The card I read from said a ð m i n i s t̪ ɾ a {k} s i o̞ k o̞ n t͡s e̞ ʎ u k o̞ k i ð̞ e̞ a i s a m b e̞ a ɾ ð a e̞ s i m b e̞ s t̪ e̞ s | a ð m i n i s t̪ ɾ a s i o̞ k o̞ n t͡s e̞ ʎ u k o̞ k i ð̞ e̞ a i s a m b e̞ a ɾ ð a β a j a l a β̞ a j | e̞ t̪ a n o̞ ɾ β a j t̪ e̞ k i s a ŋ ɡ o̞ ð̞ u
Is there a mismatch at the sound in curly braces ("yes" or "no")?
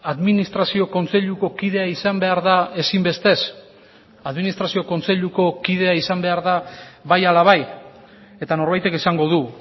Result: yes